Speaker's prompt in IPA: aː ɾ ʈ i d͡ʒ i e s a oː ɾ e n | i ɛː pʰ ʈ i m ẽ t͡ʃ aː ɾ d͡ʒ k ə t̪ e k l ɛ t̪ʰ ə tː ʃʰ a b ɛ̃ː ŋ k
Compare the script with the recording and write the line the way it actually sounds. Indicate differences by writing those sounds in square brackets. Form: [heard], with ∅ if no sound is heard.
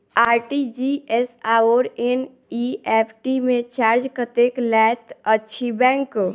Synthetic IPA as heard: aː ɾ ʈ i d͡ʒ i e s a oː ɾ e n | i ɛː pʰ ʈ i m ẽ t͡ʃ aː ɾ d͡ʒ k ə t̪ e k l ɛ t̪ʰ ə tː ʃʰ [i] b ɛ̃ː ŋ k